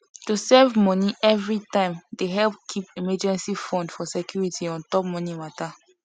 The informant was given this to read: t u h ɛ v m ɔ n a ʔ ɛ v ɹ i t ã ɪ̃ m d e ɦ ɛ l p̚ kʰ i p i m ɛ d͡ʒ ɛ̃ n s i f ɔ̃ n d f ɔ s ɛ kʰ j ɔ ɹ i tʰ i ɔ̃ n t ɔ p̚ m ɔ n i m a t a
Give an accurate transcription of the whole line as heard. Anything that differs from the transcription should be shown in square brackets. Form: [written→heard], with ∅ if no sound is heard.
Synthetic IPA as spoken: t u [h→s] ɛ v m ɔ n [a→i] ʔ ɛ v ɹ i t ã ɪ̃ m d e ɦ ɛ l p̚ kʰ i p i m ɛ d͡ʒ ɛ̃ n s i f ɔ̃ n d f ɔ s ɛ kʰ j [ɔ→u] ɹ i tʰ i ɔ̃ n t ɔ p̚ m ɔ n i m a t a